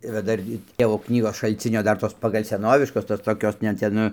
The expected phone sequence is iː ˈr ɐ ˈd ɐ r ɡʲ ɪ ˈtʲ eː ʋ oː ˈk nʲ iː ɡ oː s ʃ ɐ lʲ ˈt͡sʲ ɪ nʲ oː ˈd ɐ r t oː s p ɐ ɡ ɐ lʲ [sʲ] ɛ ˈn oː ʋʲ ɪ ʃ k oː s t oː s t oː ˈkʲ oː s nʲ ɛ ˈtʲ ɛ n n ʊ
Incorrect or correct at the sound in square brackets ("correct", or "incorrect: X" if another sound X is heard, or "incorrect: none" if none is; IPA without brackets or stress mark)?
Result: correct